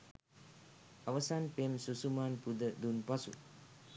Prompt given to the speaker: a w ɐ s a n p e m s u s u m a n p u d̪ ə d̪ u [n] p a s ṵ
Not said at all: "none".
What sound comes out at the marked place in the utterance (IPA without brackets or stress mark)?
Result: n